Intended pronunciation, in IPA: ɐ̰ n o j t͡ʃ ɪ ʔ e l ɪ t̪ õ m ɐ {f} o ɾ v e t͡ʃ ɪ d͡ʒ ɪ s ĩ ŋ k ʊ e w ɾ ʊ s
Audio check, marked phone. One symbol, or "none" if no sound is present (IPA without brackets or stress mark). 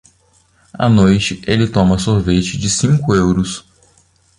s